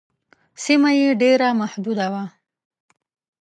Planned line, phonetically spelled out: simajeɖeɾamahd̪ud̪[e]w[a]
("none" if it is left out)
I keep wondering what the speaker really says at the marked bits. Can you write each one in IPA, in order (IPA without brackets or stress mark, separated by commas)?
a, a